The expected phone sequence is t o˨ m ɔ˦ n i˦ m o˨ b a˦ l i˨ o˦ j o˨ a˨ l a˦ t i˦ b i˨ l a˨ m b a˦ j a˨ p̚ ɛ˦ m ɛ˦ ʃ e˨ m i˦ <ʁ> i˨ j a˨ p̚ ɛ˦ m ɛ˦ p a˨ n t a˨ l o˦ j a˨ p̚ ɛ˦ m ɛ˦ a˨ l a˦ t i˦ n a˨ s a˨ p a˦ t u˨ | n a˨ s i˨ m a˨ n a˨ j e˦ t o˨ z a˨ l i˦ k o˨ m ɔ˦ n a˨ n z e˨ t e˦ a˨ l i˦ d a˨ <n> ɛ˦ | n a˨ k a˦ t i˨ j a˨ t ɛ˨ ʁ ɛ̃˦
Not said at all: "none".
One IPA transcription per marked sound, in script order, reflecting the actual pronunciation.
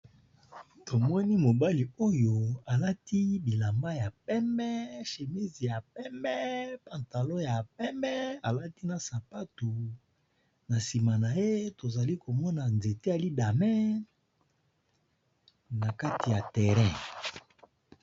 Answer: z, m

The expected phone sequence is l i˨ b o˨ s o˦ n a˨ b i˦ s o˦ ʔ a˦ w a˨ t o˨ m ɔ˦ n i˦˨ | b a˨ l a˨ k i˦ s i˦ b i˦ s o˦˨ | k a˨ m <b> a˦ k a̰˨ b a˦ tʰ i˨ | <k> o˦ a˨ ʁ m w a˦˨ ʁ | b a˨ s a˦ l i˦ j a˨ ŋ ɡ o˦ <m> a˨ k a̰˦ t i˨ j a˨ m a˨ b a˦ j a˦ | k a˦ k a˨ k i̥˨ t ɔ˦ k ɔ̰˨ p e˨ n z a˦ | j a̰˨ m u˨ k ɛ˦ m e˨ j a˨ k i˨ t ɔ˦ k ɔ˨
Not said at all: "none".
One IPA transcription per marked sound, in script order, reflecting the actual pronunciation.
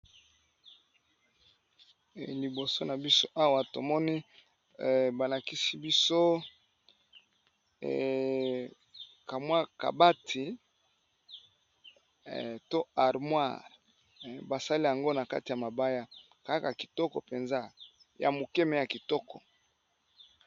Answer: w, t, n

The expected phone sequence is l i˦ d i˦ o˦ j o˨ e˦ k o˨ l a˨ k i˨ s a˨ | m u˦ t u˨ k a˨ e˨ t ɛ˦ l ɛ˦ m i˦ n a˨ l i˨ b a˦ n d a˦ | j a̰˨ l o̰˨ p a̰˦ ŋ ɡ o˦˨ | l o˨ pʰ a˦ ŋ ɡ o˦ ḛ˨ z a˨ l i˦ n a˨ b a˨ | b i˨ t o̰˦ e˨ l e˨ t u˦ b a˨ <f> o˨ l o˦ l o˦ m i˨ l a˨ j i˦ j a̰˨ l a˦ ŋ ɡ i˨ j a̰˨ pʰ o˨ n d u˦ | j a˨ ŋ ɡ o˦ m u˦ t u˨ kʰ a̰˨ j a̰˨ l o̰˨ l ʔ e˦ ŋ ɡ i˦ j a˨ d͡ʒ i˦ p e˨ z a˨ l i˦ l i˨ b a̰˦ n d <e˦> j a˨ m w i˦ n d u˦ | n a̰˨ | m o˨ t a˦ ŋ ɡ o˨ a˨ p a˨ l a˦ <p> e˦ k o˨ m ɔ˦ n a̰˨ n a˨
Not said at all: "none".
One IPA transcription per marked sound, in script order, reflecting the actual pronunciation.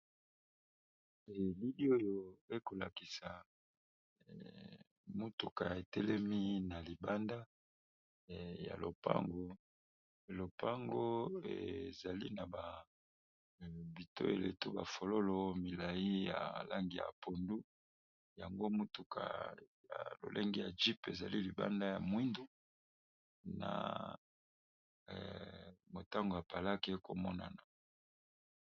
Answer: f, a˦, k

